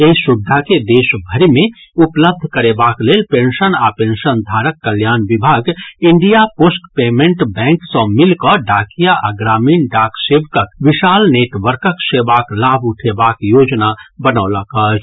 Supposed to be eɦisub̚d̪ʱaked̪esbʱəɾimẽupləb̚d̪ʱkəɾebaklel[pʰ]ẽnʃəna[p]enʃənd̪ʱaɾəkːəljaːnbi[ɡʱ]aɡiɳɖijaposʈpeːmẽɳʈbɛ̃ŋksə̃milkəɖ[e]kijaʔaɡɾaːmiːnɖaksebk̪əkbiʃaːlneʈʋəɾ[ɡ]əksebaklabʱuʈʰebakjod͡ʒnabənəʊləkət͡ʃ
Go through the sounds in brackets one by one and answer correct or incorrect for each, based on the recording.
incorrect: p, correct, incorrect: bʱ, incorrect: a, incorrect: k

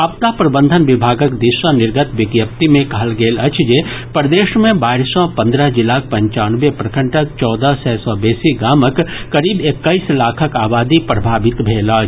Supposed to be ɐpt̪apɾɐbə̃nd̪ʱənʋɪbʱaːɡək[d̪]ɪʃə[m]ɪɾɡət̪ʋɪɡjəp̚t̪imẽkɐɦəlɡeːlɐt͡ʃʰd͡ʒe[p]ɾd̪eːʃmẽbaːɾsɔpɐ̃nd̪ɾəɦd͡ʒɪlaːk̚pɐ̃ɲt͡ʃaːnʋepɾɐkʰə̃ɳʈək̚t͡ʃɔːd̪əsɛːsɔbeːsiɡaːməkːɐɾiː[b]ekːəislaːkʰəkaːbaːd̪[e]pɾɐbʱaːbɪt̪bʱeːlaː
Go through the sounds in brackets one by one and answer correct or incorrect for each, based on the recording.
correct, incorrect: n, correct, correct, incorrect: i

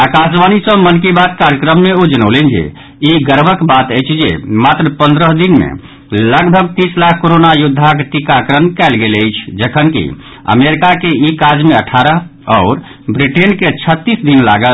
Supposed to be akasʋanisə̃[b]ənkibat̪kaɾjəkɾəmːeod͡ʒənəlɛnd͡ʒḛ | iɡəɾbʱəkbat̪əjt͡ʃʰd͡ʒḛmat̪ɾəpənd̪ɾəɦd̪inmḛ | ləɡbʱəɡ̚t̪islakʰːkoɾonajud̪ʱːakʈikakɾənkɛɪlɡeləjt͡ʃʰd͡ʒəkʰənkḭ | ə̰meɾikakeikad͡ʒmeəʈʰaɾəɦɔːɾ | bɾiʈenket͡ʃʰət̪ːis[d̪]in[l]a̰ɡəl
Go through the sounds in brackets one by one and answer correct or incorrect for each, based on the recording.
incorrect: m, correct, correct

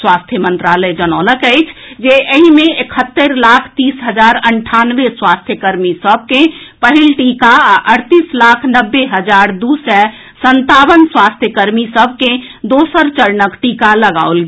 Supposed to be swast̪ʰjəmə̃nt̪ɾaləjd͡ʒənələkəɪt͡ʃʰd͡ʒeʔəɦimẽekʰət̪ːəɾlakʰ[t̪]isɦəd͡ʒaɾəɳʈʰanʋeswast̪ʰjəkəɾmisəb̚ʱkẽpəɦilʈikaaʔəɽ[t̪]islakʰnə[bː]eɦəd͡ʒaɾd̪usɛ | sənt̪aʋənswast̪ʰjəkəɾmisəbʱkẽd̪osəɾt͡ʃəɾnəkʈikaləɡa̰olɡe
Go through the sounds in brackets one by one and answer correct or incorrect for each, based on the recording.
correct, correct, correct

